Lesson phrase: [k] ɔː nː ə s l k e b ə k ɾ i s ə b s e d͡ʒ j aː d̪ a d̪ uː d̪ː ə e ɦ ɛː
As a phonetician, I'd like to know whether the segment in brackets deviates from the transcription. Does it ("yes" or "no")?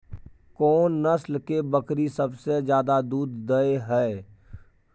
no